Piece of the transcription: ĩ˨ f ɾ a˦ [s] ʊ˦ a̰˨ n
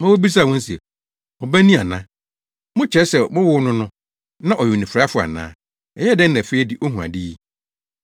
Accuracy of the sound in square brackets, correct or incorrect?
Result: incorrect: f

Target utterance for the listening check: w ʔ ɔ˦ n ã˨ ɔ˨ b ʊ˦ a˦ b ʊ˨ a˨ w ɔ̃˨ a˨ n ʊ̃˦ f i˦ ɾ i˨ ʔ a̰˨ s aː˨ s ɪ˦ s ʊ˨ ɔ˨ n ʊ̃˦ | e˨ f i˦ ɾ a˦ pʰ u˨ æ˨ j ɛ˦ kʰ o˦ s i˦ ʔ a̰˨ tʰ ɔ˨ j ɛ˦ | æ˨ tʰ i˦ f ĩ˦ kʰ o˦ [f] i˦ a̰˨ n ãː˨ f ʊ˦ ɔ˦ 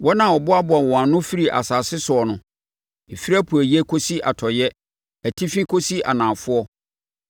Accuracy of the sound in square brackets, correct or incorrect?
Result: incorrect: s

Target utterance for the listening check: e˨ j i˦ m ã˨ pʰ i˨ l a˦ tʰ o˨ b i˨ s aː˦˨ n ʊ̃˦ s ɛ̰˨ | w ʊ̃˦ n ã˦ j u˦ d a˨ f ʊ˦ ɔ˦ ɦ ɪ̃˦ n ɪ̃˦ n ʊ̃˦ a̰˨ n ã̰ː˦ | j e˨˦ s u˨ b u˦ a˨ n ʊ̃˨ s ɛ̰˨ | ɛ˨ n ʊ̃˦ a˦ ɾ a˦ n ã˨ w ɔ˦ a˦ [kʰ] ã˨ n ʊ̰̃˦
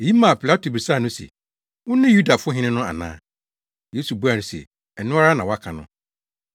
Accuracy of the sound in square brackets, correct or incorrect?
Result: correct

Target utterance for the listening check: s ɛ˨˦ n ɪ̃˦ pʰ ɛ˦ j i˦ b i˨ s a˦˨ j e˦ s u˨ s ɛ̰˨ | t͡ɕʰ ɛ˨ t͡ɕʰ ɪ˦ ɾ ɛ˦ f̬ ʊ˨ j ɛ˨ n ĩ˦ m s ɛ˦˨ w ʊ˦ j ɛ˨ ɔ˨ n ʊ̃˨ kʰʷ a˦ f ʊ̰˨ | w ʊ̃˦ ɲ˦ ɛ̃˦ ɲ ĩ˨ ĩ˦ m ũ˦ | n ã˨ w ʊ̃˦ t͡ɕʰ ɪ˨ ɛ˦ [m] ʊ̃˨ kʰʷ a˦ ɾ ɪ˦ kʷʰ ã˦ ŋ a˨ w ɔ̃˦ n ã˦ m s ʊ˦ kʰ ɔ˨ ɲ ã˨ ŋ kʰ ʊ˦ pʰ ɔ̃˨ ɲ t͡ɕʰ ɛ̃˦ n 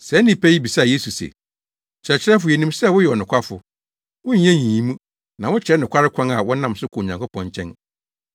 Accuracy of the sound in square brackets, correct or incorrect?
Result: incorrect: n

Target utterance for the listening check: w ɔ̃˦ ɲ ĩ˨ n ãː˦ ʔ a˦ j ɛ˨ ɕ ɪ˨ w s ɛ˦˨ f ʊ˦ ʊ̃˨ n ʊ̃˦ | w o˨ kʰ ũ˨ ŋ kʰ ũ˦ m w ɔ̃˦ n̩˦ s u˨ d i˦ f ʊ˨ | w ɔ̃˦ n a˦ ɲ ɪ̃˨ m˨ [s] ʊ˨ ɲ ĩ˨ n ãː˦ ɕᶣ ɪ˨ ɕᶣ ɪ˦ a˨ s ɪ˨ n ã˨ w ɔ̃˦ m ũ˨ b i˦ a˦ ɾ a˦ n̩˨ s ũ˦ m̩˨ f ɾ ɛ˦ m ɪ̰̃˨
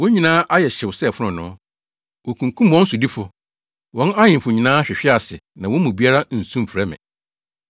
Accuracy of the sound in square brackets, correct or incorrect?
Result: incorrect: f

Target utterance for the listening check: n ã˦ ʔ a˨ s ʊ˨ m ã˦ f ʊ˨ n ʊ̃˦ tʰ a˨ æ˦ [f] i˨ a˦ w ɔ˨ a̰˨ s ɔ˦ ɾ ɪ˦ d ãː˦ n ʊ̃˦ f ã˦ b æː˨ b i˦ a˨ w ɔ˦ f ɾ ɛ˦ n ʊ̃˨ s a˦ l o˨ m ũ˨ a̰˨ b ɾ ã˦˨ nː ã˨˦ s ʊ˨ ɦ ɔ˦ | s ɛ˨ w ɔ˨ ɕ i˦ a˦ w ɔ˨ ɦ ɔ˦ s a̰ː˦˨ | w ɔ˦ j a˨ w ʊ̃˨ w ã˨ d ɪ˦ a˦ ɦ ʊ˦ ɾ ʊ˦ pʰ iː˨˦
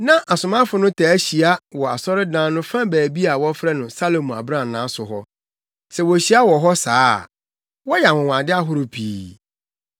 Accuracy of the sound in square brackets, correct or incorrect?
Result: incorrect: ɕ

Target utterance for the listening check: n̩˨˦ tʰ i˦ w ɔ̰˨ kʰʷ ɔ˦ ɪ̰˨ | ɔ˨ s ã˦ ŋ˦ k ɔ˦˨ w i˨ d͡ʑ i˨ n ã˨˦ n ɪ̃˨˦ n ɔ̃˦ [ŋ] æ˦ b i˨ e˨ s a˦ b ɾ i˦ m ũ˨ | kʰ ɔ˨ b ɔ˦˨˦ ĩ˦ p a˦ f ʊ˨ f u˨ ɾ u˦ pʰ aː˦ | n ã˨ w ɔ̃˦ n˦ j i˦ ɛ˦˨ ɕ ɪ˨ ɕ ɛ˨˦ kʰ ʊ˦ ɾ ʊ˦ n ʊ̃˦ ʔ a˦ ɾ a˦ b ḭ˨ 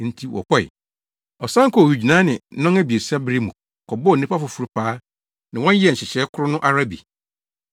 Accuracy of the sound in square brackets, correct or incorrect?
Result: correct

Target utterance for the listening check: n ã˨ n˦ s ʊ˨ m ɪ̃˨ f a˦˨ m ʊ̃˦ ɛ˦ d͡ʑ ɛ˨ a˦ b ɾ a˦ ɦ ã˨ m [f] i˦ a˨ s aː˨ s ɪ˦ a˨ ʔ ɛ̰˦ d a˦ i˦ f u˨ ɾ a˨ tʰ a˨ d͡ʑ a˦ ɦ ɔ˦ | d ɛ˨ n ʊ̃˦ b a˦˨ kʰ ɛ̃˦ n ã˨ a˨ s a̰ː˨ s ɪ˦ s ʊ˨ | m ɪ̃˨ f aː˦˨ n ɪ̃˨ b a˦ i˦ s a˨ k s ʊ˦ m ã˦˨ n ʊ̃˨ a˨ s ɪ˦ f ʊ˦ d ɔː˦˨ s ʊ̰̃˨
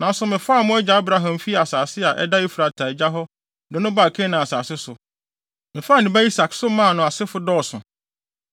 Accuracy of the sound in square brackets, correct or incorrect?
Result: correct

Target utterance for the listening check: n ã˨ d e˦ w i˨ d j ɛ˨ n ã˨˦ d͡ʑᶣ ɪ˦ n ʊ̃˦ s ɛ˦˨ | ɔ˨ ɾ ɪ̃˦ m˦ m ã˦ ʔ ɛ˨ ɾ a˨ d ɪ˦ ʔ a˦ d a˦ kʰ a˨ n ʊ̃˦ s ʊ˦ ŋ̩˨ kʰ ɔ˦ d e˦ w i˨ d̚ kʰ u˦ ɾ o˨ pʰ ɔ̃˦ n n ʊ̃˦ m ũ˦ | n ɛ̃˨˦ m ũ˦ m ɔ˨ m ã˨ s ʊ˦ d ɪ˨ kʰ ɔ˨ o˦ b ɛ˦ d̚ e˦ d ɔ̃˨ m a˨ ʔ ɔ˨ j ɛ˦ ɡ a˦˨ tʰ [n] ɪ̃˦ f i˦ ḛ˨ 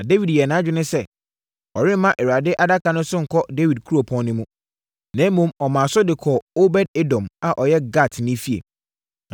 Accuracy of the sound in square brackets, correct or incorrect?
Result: correct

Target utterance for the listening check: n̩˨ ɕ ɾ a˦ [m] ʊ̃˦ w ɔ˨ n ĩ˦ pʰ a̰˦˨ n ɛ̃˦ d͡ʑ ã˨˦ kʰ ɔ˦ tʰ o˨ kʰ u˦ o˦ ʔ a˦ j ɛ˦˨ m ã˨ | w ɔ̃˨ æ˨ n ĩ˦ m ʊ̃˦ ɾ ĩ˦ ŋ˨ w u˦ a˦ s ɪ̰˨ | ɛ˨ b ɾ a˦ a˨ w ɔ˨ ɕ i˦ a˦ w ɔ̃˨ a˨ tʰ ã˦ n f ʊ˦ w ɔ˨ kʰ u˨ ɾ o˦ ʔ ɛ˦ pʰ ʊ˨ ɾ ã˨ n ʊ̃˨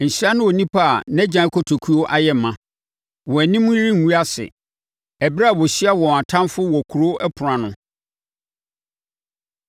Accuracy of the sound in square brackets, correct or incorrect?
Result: incorrect: n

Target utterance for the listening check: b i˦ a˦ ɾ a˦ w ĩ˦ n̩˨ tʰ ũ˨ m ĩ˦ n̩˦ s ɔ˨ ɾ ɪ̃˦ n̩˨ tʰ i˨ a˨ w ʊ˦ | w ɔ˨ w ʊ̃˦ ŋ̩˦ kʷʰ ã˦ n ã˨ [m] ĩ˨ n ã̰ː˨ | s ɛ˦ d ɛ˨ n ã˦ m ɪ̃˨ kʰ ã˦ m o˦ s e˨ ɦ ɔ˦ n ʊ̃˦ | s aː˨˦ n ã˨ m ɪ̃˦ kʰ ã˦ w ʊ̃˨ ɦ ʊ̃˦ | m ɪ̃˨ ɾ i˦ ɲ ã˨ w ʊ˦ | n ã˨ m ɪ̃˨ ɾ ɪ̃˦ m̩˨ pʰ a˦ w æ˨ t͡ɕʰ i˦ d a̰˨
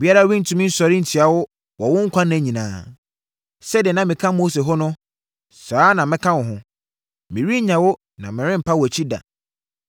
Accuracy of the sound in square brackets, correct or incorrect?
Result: incorrect: ɲ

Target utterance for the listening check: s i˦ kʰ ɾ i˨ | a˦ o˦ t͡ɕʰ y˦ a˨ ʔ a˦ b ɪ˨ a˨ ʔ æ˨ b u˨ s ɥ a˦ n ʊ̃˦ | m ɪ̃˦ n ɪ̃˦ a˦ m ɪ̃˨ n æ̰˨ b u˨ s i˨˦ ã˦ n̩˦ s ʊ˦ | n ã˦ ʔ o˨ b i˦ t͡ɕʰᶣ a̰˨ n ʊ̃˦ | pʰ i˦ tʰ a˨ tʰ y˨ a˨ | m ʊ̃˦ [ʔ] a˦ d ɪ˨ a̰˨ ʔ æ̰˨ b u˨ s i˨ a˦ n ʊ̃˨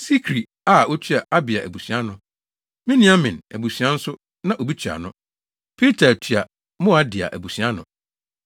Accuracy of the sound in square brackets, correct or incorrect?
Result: incorrect: none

